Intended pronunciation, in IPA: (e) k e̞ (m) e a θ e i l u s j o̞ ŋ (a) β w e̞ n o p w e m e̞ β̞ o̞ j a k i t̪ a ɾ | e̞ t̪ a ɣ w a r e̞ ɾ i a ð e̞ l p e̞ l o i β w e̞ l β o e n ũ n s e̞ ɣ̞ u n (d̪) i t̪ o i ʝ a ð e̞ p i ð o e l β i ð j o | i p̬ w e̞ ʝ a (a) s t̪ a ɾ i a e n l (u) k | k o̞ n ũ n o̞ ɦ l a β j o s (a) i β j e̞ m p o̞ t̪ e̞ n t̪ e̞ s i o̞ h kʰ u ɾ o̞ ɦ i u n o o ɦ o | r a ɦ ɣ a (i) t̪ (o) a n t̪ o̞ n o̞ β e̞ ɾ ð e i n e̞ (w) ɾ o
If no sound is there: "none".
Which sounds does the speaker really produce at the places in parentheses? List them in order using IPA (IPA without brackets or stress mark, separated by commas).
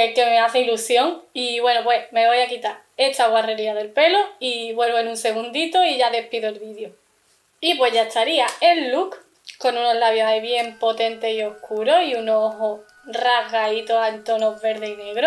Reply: e, m, i, d̪, e, u, a, i, o, ɣ